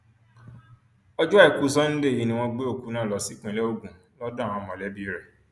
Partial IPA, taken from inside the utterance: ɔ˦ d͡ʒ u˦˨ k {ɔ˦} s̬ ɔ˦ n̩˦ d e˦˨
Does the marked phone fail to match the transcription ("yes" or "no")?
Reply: yes